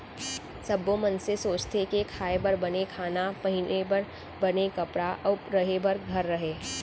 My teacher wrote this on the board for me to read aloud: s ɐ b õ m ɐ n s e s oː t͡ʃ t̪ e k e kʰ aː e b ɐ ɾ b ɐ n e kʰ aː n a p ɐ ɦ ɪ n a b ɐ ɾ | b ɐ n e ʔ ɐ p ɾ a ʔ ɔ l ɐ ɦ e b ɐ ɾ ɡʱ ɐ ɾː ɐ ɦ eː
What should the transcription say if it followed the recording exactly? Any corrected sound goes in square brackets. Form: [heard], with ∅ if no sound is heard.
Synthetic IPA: s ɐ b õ m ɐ n s e s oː t͡ʃ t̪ e k e kʰ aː e b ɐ ɾ b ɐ n e kʰ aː n a p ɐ ɦ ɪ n [e] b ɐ ɾ | b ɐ n e [k] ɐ p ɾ a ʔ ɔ [ɾ] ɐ ɦ e b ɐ ɾ ɡʱ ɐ ɾː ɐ ɦ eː